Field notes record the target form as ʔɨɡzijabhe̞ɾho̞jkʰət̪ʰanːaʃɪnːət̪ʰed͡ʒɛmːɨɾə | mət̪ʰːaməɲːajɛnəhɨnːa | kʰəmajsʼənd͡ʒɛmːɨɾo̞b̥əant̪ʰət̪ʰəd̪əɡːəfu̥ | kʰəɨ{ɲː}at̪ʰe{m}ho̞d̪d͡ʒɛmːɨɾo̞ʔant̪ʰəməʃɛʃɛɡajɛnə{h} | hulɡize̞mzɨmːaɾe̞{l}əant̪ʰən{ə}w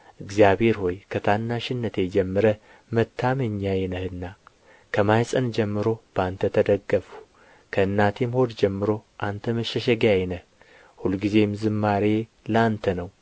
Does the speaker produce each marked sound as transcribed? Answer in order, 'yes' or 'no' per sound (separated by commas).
no, yes, yes, yes, yes